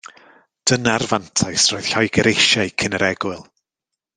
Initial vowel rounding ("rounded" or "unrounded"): unrounded